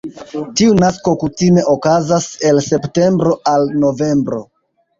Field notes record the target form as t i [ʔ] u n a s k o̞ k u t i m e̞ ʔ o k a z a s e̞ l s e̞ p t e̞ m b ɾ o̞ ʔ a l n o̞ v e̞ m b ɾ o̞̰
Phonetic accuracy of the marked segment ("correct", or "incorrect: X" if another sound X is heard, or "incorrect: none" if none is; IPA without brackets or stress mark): incorrect: none